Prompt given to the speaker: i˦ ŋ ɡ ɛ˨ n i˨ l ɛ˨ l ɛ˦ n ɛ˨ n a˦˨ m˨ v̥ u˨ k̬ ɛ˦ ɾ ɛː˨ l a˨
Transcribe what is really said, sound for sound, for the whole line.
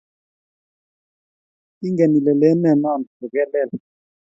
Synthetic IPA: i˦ ŋ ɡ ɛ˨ n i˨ l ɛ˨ l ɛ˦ n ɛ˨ n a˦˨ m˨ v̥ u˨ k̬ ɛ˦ l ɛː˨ l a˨